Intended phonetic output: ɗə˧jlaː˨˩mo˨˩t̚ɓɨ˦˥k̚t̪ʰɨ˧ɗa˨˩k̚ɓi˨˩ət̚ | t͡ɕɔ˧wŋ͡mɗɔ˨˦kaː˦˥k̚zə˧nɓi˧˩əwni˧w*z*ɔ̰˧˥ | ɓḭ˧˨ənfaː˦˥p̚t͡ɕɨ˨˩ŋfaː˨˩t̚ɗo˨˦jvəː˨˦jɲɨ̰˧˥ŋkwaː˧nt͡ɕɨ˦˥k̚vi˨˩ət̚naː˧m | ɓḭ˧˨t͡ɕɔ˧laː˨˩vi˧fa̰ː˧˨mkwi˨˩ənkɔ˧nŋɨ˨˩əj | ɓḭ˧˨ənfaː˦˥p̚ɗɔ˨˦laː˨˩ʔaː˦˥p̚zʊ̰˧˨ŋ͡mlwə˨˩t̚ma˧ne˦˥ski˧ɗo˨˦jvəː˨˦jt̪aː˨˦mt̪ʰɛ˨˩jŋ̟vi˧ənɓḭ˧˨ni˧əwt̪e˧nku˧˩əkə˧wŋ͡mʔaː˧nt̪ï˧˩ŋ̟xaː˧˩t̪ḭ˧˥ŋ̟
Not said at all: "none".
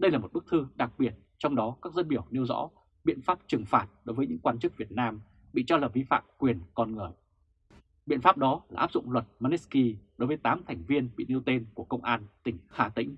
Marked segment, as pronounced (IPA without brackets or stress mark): z